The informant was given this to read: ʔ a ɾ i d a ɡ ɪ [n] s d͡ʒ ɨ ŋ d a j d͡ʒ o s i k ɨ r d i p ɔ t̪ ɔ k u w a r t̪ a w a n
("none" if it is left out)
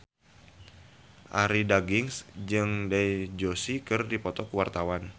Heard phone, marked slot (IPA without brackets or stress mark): ŋ